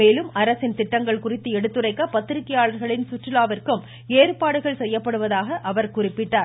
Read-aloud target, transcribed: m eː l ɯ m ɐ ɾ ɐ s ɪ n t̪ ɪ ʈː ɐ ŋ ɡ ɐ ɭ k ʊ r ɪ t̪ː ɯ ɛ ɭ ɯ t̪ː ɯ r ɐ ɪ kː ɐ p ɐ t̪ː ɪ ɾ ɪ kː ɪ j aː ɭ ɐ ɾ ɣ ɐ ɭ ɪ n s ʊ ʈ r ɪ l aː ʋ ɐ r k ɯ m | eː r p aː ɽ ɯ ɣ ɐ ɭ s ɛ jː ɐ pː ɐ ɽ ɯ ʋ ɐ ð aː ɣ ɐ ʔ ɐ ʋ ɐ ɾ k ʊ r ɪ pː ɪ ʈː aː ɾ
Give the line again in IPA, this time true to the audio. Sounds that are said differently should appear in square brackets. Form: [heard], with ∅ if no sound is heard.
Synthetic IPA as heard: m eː l ɯ m ɐ ɾ ɐ s ɪ n t̪ ɪ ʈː ɐ ŋ ɡ ɐ ɭ k ʊ r ɪ t̪ː ɯ ɛ [ɽ] ɯ t̪ː ɯ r ɐ ɪ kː ɐ p ɐ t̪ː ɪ ɾ ɪ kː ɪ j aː ɭ ɐ ɾ ɣ ɐ ɭ ɪ n s ʊ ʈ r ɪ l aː ʋ ɐ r k ɯ m | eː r p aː ɽ ɯ ɣ ɐ ɭ s ɛ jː ɐ pː ɐ ɽ ɯ ʋ ɐ ð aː ɣ ɐ ʔ ɐ ʋ ɐ ɾ k ʊ r ɪ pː ɪ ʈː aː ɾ

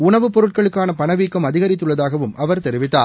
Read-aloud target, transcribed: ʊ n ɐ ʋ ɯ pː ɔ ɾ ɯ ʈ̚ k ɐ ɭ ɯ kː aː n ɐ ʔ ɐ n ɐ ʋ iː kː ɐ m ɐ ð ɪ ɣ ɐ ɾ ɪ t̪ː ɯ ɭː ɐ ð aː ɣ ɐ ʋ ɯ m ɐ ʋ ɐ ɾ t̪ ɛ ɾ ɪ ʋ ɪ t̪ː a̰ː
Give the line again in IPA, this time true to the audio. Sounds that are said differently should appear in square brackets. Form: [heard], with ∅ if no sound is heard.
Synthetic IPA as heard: ʊ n ɐ ʋ ɯ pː ɔ ɾ ɯ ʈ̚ k ɐ ɭ ɯ kː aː n ɐ [p] ɐ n ɐ ʋ iː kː ɐ m ɐ ð ɪ ɣ ɐ ɾ ɪ t̪ː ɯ ɭː ɐ ð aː ɣ ɐ ʋ ɯ m ɐ ʋ ɐ ɾ t̪ ɛ ɾ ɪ ʋ ɪ t̪ː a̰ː

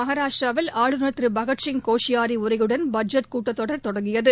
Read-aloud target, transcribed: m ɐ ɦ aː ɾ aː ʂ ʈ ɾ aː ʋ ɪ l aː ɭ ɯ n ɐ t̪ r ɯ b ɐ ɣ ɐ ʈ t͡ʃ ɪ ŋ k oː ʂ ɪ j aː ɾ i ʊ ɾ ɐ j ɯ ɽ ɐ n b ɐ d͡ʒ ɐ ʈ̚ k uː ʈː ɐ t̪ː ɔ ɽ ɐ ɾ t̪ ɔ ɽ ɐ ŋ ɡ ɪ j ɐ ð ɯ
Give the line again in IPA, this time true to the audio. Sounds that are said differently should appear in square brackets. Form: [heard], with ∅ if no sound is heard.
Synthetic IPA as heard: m ɐ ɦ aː ɾ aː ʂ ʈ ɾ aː ʋ ɪ l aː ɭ ɯ n ɐ t̪ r ɯ b ɐ ɣ ɐ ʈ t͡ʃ ɪ ŋ k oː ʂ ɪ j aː ɾ i ʊ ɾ ɐ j ɯ ɽ ɐ n b ɐ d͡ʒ ɐ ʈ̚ k uː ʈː ɐ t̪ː ɔ ɽ ɐ ɾ t̪ ɔ ɽ ɐ ŋ ɡ ɪ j ɐ ð ɯ

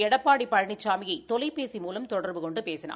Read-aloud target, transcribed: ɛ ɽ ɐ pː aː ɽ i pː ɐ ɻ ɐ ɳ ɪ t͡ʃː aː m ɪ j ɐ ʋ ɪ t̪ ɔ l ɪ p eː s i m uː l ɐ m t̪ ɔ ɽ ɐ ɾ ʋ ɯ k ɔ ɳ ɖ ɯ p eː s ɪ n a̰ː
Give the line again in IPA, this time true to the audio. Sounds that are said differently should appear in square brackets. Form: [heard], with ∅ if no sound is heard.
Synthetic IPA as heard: ɛ ɽ ɐ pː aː ɽ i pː ɐ ɻ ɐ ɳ ɪ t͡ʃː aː m ɪ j ɐ [∅] ɪ t̪ ɔ l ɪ p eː s i m uː l ɐ m t̪ ɔ ɽ ɐ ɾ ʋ ɯ k ɔ ɳ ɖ ɯ p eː s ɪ n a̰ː

